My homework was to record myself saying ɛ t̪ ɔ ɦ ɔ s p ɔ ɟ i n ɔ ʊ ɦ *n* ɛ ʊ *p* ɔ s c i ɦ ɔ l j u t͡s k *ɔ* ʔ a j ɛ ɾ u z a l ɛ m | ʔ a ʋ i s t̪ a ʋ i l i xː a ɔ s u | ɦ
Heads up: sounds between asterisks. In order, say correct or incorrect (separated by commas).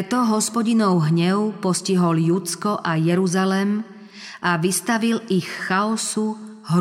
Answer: incorrect, correct, correct